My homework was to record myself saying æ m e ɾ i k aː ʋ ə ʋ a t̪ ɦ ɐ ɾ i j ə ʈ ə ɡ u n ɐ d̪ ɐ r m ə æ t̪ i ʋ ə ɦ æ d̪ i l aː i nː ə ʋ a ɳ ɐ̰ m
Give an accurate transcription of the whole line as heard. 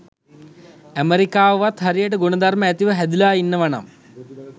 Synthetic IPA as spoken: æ m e ɾ i k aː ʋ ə ʋ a t̪ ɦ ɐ ɾ i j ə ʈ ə ɡ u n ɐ d̪ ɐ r m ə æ t̪ i ʋ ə ɦ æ d̪ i l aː i nː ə ʋ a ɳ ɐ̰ m